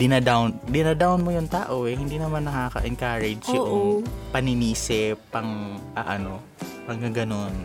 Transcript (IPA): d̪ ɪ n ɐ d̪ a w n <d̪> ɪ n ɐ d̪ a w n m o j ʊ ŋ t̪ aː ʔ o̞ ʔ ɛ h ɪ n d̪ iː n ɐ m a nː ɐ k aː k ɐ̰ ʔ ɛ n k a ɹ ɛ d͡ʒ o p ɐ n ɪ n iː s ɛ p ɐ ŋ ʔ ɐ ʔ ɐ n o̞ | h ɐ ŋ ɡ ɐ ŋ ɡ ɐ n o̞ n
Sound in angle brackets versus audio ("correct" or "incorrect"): correct